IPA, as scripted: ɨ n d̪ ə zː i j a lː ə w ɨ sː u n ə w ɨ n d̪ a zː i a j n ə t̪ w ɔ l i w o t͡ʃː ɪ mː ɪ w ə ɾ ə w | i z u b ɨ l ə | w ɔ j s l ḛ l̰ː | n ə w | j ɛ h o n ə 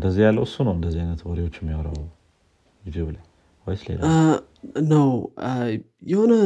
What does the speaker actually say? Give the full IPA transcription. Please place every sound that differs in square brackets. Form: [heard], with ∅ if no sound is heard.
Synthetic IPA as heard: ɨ n d̪ ə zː i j a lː ə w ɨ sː u n ə w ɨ n d̪ [ə] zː i a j n ə t̪ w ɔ [ɾ] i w o t͡ʃː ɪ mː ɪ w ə ɾ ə w | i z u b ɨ l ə | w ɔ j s l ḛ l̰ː | n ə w | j ɛ h o n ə